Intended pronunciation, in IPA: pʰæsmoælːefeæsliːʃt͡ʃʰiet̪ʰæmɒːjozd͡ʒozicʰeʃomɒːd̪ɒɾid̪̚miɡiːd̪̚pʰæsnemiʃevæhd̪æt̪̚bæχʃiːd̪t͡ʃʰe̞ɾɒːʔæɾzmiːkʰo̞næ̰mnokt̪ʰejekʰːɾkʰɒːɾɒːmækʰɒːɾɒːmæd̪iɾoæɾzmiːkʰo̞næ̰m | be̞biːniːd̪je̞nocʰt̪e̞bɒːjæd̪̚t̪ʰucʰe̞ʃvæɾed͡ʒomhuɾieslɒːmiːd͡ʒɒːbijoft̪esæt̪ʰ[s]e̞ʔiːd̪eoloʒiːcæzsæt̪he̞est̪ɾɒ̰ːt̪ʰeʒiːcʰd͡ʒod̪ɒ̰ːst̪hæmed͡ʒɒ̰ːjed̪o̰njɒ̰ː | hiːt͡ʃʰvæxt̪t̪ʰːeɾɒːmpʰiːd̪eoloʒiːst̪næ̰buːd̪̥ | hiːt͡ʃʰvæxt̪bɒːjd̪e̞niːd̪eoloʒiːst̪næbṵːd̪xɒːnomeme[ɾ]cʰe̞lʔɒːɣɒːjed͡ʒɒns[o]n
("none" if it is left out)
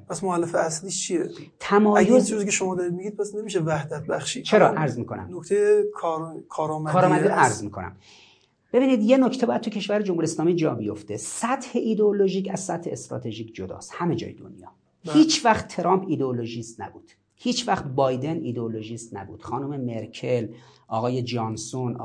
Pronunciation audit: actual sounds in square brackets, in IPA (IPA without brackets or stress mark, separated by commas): h, ɾ, o